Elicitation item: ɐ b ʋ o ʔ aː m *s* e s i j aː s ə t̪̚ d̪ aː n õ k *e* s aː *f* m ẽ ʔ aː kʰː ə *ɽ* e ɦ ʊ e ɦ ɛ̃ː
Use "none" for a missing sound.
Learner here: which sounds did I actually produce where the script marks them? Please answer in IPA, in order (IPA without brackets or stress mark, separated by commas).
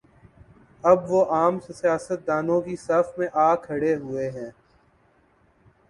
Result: s, i, f, ɽ